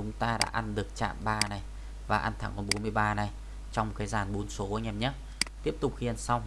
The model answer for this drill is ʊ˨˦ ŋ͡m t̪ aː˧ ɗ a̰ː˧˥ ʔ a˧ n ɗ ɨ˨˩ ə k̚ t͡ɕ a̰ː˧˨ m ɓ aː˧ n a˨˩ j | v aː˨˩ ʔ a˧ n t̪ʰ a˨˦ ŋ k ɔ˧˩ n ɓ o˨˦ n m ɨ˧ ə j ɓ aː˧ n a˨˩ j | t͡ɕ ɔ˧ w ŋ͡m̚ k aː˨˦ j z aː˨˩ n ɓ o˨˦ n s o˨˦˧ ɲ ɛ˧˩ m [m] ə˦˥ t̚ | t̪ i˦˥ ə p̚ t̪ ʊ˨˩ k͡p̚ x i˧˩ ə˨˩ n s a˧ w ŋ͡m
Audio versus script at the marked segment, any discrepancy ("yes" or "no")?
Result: yes